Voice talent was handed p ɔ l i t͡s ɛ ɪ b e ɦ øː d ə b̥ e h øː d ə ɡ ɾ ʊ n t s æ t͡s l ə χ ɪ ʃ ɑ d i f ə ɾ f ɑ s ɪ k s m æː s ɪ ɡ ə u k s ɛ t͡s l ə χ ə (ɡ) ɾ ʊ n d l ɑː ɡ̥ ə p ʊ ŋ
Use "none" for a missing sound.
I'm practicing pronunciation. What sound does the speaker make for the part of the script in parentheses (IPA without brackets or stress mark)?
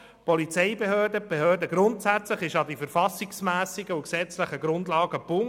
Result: ɡ